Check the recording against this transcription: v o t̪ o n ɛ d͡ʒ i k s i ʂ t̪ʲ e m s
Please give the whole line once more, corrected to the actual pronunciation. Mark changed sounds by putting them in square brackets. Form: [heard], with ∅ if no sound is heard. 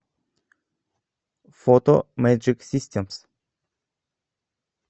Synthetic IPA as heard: [f] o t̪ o [m] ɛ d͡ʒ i k s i [s] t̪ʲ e m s